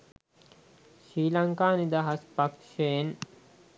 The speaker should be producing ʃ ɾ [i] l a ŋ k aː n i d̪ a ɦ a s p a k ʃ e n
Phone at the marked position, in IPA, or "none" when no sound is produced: iː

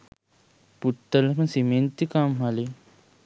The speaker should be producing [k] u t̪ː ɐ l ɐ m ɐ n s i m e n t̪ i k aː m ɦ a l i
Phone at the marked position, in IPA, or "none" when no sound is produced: p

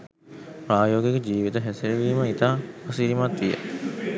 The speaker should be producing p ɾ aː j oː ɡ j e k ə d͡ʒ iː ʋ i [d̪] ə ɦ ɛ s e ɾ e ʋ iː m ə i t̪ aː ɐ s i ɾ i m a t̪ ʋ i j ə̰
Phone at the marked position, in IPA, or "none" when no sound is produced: t̪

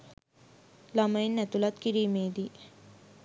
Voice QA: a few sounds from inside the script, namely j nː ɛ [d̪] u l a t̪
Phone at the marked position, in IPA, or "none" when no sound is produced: t̪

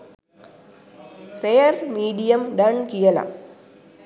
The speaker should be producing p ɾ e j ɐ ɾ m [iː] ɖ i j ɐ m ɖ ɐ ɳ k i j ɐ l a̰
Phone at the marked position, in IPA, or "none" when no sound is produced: iː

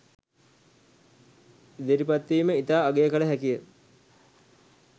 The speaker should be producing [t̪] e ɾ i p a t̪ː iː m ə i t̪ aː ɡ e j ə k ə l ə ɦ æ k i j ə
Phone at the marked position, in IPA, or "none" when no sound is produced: d̪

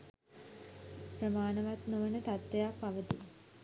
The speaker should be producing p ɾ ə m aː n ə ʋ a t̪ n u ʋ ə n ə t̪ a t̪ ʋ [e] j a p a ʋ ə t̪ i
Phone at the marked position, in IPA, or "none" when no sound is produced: e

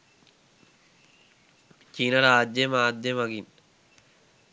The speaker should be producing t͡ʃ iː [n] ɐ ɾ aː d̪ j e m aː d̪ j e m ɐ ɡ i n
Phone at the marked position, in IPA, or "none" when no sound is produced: n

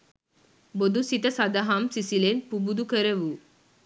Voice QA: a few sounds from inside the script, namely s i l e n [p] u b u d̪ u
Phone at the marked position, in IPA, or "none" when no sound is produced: p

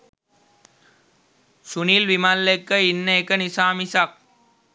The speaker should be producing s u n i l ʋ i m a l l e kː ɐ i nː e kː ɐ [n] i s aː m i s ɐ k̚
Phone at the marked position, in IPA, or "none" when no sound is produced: n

